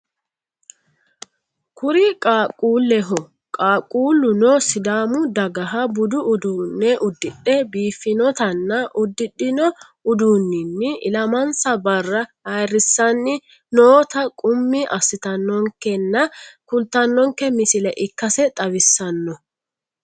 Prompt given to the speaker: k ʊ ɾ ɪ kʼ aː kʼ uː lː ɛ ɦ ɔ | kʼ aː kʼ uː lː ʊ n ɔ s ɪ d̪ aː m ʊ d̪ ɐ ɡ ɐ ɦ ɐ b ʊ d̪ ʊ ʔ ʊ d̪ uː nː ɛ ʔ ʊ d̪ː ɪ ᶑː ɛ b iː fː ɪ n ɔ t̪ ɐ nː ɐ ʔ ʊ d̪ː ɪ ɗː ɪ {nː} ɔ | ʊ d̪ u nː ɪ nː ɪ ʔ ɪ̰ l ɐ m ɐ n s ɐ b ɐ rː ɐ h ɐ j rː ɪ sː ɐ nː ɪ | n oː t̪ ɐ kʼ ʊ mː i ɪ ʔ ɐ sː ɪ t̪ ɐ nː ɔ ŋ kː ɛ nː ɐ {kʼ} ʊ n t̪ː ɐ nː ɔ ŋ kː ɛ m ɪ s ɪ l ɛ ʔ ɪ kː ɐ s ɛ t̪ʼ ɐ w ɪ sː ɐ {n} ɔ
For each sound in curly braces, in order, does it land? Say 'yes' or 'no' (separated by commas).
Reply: no, no, no